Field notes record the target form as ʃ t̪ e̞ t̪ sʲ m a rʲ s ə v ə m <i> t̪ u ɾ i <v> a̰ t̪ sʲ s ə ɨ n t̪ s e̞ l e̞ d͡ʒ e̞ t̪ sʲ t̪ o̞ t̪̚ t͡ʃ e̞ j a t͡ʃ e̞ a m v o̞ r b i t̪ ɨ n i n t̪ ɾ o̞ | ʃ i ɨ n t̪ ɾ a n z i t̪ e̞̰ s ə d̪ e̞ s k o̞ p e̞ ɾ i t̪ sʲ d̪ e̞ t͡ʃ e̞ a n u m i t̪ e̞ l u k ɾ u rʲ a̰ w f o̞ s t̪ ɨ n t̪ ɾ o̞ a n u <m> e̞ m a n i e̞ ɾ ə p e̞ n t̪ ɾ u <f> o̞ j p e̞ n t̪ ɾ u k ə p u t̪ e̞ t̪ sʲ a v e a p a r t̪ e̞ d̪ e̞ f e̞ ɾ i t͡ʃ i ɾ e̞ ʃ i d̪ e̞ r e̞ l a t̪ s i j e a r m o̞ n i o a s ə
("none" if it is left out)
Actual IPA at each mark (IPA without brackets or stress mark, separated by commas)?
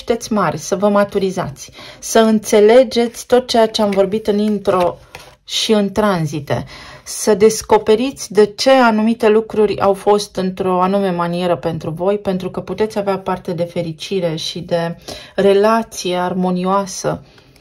a, z, m, v